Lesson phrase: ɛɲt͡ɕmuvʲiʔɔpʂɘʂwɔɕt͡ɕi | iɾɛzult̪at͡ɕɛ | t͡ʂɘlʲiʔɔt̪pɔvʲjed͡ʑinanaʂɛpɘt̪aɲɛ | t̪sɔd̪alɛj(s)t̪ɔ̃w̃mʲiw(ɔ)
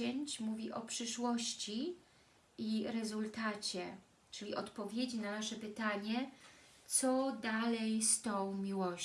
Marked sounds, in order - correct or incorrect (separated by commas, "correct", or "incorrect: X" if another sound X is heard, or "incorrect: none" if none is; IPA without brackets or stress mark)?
correct, correct